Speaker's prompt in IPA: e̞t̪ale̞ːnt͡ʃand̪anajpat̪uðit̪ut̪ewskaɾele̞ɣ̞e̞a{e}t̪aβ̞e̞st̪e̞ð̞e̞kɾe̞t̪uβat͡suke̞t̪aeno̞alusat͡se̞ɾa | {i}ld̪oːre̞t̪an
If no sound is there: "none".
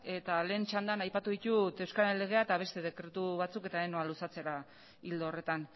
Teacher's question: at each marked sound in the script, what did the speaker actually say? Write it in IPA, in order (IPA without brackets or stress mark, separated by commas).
e, i